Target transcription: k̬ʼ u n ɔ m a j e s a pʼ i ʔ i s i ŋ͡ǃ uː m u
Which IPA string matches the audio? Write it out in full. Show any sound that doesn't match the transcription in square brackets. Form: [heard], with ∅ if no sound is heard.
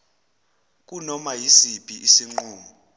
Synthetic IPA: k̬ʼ u n ɔ m a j [i] s [i] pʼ i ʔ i s i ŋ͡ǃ uː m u